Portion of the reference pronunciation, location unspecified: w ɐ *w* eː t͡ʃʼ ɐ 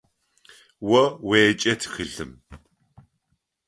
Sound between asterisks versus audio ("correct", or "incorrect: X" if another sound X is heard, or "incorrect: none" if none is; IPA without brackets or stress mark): correct